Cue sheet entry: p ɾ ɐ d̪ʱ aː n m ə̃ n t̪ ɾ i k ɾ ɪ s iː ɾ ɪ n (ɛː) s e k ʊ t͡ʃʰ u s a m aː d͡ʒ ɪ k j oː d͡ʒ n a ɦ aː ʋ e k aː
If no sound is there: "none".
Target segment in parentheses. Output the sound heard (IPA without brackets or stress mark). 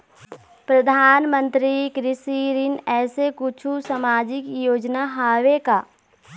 ɛː